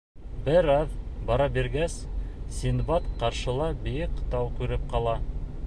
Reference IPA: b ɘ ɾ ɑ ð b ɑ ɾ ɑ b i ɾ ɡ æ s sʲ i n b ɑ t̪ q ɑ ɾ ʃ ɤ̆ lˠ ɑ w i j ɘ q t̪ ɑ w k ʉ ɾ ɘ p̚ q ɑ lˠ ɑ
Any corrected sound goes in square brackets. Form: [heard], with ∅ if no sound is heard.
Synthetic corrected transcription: b ɘ ɾ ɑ ð b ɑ ɾ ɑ b i ɾ ɡ æ s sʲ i n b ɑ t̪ q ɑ ɾ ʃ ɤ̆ lˠ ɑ [b] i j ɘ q t̪ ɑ w k ʉ ɾ ɘ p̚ q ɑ lˠ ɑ